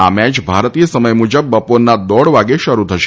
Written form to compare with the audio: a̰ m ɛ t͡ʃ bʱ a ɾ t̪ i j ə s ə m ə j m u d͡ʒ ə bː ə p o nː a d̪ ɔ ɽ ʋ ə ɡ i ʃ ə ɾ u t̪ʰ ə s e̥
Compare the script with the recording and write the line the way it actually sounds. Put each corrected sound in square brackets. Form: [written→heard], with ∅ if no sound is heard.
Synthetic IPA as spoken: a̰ m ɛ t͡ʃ bʱ a ɾ t̪ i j ə s ə m ə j m u d͡ʒ ə bː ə p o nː a d̪ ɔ ɽ ʋ [ə→a] ɡ [i→e] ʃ ə ɾ u t̪ʰ ə [s→ʃ] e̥